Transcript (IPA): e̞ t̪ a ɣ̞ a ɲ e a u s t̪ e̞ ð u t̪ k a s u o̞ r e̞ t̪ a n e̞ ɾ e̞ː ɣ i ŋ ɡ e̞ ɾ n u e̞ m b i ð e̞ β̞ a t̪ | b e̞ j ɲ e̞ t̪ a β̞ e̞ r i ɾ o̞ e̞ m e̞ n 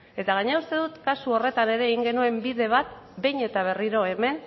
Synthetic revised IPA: e̞ t̪ a ɣ̞ a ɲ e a u s t̪ e̞ ð u t̪ k a s u o̞ r e̞ t̪ a n e̞ ɾ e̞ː ɣ i ŋ ɡ e̞ n u e̞ m b i ð e̞ β̞ a t̪ | b e̞ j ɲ e̞ t̪ a β̞ e̞ r i ɾ o̞ e̞ m e̞ n